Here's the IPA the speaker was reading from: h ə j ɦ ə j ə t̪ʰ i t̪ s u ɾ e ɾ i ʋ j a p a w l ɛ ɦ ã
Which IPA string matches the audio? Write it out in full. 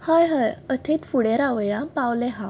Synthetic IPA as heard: h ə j ɦ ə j ə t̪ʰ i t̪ f u ɽ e ɾ a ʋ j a p a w l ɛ ɦ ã